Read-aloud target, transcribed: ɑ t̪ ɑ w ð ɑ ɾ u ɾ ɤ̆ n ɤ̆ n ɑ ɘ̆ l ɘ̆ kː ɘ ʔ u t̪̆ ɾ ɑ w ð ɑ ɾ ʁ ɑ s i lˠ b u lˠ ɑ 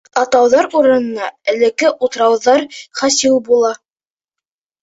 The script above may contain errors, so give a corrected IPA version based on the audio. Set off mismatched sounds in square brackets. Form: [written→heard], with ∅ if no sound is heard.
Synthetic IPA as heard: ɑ t̪ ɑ w ð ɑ ɾ u ɾ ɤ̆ n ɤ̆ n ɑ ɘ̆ l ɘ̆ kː ɘ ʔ u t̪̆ ɾ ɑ w ð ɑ ɾ [ʁ→χ] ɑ s i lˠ b u lˠ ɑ